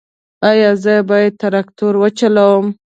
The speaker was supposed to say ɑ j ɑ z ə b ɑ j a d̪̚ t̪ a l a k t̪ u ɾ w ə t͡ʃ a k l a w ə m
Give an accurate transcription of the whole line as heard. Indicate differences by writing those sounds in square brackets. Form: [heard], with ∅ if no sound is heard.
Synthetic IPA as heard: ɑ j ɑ z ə b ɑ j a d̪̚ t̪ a [ɾ] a k t̪ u ɾ w ə t͡ʃ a [∅] l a w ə m